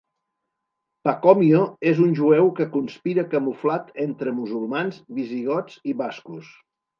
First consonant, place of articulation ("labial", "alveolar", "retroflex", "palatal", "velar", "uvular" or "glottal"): labial